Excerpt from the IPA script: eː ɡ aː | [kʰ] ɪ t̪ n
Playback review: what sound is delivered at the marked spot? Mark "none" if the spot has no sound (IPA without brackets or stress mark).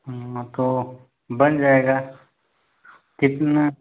k